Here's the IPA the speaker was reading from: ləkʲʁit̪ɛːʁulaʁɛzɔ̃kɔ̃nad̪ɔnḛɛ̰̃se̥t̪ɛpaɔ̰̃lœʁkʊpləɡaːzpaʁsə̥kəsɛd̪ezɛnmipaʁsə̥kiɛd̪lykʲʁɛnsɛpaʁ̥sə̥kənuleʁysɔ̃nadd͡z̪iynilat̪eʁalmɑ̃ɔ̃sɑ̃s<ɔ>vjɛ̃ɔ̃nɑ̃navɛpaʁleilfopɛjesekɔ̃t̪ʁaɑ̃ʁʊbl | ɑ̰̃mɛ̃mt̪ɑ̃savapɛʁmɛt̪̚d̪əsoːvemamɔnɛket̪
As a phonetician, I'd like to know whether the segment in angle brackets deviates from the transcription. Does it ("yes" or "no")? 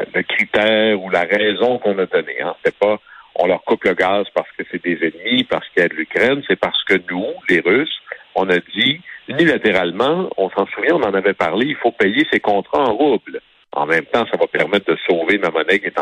yes